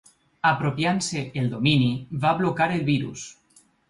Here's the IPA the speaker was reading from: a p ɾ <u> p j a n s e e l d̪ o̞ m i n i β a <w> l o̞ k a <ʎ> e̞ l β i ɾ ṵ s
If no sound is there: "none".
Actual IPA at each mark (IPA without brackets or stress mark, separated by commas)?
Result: o, β, ɾ